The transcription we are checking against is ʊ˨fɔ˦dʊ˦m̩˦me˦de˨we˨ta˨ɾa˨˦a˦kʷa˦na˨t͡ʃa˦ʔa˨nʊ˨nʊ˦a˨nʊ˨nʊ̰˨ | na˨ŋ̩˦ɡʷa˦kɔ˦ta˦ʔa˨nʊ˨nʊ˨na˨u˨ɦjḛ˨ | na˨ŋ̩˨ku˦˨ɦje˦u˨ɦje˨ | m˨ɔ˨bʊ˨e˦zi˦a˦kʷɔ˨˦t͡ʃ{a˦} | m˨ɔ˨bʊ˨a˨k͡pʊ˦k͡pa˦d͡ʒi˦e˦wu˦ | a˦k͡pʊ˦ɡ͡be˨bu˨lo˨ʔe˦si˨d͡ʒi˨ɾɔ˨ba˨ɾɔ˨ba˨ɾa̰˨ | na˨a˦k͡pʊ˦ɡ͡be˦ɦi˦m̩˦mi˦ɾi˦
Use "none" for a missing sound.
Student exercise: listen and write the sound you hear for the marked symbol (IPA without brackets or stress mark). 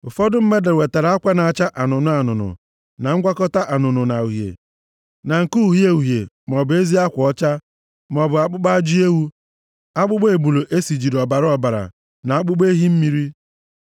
a˦